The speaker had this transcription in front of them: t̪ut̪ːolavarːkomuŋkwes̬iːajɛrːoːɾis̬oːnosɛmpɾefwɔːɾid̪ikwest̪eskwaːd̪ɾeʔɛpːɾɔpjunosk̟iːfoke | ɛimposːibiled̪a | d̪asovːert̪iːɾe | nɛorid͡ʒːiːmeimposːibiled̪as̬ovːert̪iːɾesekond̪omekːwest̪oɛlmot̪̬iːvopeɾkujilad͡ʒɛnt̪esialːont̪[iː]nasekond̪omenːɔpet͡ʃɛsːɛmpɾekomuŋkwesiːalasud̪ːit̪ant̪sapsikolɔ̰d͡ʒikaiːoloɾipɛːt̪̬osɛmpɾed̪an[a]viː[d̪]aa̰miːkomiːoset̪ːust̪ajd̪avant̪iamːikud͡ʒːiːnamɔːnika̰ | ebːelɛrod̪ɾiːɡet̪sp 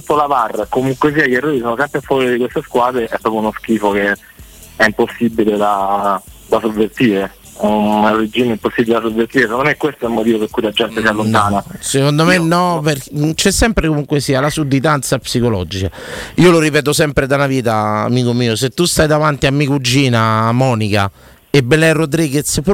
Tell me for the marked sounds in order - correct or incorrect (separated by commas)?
incorrect, correct, incorrect